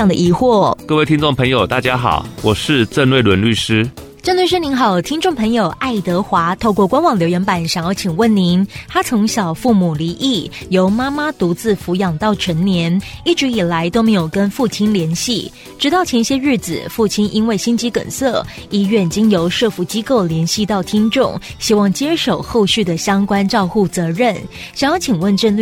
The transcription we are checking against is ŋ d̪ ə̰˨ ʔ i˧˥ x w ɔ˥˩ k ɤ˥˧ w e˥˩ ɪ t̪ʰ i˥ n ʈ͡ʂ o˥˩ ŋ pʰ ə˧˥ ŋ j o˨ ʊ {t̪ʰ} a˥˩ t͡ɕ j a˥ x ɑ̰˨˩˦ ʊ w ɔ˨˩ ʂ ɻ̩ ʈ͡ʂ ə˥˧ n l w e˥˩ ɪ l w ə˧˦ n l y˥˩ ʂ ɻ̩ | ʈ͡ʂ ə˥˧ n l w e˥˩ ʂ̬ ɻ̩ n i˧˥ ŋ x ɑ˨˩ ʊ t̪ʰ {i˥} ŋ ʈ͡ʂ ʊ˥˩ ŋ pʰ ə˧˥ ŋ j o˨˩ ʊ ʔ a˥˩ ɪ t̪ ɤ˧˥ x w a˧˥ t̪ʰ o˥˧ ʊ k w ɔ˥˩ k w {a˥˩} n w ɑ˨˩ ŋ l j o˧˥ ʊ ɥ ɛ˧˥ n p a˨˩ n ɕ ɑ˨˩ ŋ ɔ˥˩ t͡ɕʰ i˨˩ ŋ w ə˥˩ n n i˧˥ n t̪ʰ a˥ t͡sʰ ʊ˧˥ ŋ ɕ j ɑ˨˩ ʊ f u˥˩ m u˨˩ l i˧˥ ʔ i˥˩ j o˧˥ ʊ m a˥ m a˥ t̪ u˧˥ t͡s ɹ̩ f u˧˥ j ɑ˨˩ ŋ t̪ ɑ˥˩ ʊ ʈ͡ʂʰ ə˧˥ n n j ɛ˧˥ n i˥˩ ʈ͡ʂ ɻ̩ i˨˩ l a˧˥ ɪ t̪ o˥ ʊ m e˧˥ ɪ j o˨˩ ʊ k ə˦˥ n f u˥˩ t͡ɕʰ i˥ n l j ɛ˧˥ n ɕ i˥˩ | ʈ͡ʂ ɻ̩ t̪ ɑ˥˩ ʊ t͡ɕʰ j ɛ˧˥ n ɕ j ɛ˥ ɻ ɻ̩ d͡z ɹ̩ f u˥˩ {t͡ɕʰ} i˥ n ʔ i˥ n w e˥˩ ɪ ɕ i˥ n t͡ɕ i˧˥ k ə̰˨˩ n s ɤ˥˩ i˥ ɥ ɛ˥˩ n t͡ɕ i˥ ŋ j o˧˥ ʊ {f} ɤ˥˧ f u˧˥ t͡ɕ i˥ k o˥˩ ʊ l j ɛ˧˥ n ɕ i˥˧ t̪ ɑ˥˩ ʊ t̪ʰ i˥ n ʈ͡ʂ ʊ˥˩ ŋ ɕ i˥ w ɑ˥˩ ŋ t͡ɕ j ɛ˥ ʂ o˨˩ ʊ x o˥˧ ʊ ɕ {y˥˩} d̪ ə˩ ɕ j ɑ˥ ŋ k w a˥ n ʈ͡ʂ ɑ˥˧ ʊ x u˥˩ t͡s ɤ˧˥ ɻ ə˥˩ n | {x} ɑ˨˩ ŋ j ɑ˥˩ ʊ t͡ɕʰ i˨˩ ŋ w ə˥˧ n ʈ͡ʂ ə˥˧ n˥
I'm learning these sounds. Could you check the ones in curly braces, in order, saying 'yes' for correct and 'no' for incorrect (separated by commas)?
no, yes, no, yes, no, yes, no